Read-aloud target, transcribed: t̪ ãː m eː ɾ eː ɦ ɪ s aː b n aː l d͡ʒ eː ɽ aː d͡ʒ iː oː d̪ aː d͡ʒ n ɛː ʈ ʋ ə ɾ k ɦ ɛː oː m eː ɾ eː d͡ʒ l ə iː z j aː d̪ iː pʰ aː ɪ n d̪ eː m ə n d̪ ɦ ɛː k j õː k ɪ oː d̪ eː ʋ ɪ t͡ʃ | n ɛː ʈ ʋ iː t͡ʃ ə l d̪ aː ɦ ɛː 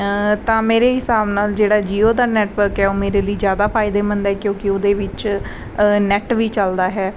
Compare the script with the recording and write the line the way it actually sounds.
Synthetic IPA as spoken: t̪ ãː m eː ɾ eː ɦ ɪ s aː b n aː l d͡ʒ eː ɽ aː d͡ʒ iː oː d̪ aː n ɛː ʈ ʋ ə ɾ k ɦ ɛː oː m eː ɾ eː l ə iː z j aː d̪ aː pʰ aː ɪ d̪ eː m ə n d̪ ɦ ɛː k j õː k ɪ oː d̪ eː ʋ ɪ t͡ʃ | n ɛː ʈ ʋ iː t͡ʃ ə l d̪ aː ɦ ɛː

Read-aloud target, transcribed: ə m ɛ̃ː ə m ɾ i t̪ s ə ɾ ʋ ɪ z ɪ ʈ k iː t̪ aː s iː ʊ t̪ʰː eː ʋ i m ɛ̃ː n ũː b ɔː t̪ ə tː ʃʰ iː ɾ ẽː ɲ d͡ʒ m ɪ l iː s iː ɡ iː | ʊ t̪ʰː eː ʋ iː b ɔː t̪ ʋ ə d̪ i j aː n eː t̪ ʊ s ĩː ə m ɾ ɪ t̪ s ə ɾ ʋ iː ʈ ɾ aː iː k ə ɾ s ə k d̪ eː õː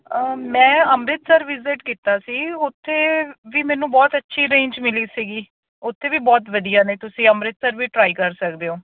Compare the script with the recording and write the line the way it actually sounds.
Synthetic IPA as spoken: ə m ɛ̃ː ə m ɾ ɪ t̪ s ə ɾ ʋ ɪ z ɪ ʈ k iː t̪ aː s iː ʊ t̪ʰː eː ʋ iː m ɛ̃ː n ũː b ɔː t̪ ə tː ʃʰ iː ɾ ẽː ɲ d͡ʒ m ɪ l iː s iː ɡ iː | ʊ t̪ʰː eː ʋ iː b ɔː t̪ ʋ ə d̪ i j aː n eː t̪ ʊ s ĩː ə m ɾ ɪ t̪ s ə ɾ ʋ iː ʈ ɾ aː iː k ə ɾ s ə k d̪ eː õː

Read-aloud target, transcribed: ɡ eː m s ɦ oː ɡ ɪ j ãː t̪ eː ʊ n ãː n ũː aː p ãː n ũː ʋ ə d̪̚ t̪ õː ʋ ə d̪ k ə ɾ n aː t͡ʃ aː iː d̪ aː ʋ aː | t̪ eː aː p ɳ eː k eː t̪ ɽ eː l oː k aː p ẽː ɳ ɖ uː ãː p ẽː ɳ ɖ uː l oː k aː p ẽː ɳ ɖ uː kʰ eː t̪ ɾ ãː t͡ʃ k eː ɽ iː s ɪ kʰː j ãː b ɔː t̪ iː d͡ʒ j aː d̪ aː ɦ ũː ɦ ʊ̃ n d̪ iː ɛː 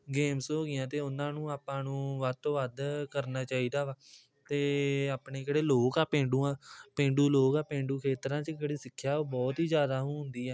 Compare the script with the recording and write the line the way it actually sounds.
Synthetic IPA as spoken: ɡ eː m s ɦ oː ɡ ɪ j ãː t̪ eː ʊ n ãː n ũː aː p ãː n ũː ʋ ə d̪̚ t̪ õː ʋ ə d̪ k ə ɾ n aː t͡ʃ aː iː d̪ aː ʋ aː | t̪ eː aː p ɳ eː k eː ɽ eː l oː k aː p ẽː ɳ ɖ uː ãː p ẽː ɳ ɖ uː l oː k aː p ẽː ɳ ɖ uː kʰ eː t̪ ɾ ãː t͡ʃ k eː ɽ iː s ɪ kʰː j aː b ɔː t̪ iː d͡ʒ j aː d̪ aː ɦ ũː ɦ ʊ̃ n d̪ iː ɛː

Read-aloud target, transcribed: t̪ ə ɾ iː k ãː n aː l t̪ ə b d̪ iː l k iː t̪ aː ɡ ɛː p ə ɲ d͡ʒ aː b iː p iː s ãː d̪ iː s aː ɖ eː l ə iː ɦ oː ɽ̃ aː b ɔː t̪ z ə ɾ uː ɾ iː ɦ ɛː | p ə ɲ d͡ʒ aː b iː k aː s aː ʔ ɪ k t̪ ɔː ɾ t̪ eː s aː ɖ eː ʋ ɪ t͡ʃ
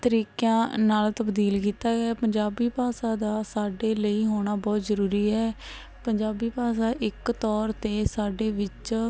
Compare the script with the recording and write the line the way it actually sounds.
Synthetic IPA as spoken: t̪ ə ɾ iː k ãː n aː l t̪ ə b d̪ iː l k iː t̪ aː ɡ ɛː p ə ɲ d͡ʒ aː b iː p aː s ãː d̪ aː s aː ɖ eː l ə iː ɦ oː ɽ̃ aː b ɔː t̪ z ə ɾ uː ɾ iː ɦ ɛː | p ə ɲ d͡ʒ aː b iː p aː s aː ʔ ɪ k t̪ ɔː ɾ t̪ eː s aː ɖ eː ʋ ɪ t͡ʃ

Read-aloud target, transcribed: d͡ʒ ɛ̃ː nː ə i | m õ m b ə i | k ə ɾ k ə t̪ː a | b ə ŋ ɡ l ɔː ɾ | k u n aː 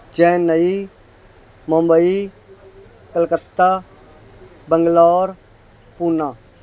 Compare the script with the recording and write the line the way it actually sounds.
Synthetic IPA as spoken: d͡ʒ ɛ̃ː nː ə i | m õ m b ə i | k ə l k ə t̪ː a | b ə ŋ ɡ l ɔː ɾ | p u n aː

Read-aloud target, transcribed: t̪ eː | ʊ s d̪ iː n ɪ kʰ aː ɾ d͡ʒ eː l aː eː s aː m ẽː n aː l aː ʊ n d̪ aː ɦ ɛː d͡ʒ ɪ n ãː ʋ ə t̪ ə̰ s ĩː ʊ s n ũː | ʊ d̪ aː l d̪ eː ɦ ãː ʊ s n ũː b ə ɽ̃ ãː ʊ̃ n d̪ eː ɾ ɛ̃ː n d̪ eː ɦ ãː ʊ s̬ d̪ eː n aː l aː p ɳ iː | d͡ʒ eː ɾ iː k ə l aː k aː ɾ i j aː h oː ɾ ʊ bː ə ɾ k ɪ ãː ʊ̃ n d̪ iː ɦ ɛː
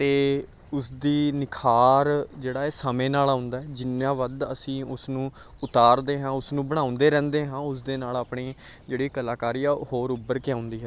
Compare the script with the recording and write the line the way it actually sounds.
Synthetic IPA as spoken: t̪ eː | ʊ s d̪ iː n ɪ kʰ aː ɾ d͡ʒ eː ɽ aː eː s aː m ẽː n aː l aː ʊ n d̪ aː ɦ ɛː d͡ʒ ɪ n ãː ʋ ə d̪ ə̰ s ĩː ʊ s n ũː | ʊ t̪ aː ɾ d̪ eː ɦ ãː ʊ s n ũː b ə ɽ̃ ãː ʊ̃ n d̪ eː ɾ ɛ̃ː n d̪ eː ɦ ãː ʊ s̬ d̪ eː n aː l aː p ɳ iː | d͡ʒ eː ɽ iː k ə l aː k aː ɾ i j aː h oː ɾ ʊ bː ə ɾ k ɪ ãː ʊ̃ n d̪ iː ɦ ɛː

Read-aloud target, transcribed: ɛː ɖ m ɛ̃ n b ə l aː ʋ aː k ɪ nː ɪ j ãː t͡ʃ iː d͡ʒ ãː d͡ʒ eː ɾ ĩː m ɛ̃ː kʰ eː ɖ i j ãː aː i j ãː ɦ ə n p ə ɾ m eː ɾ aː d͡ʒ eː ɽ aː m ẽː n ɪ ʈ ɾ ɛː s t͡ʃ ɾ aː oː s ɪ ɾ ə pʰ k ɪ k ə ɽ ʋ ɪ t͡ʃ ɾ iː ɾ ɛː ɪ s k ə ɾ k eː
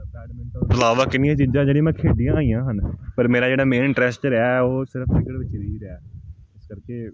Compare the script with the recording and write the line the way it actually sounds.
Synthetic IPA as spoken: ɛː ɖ m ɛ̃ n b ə l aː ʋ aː k ɪ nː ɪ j ãː t͡ʃ iː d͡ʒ ãː d͡ʒ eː ɽ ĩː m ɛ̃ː kʰ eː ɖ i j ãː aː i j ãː ɦ ə n p ə ɾ m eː ɾ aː d͡ʒ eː ɽ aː m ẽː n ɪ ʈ ɾ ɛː s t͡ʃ ɾ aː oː s ɪ ɾ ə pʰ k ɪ k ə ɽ ʋ ɪ t͡ʃ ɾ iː ɾ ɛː ɪ s k ə ɾ k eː

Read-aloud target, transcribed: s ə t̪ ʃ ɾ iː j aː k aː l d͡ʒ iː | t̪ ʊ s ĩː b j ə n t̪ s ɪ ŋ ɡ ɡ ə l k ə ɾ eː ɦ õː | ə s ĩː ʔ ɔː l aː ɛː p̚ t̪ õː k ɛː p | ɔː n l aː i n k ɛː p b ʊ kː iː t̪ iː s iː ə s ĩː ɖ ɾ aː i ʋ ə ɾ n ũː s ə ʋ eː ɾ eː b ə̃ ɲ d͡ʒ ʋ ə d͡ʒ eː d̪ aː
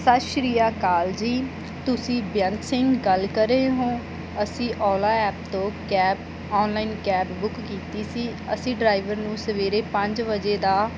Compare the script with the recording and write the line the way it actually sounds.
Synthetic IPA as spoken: s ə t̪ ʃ ɾ iː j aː k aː l d͡ʒ iː | t̪ ʊ s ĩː b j ə n t̪ s ɪ ŋ ɡ ɡ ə l k ə ɾ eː ɦ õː | ə s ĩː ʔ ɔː l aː ɛː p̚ t̪ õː k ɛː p | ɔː n l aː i n k ɛː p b ʊ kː iː t̪ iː s iː ə s ĩː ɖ ɾ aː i ʋ ə ɾ n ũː s ə ʋ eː ɾ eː p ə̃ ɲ d͡ʒ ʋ ə d͡ʒ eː d̪ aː

